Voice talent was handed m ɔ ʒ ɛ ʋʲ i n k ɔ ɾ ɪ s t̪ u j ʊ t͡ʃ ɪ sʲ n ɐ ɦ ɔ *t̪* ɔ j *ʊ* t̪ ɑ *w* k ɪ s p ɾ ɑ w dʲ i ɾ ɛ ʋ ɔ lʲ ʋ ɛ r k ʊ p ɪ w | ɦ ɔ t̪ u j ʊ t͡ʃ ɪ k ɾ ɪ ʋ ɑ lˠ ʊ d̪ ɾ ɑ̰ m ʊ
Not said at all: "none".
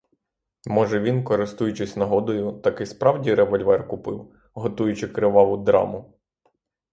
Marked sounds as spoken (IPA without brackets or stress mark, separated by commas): d̪, ʊ, none